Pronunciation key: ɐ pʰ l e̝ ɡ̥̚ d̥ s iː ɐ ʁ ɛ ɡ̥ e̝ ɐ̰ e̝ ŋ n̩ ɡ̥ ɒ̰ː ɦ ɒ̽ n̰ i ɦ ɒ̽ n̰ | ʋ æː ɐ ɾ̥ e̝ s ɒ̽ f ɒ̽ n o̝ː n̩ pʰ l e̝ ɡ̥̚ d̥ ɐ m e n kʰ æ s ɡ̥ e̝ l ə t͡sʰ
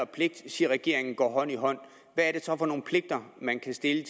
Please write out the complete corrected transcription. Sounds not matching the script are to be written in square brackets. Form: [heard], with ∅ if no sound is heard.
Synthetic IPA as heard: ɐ pʰ l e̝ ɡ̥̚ d̥ s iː ɐ ʁ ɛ ɡ̥ e̝ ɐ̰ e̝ ŋ n̩ ɡ̥ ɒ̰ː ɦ ɒ̽ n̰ i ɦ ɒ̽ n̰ | ʋ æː ɐ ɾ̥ e̝ s ɒ̽ f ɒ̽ n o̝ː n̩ pʰ l e̝ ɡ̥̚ d̥ ɐ m [æ] n kʰ æ s [d̥] e̝ l ə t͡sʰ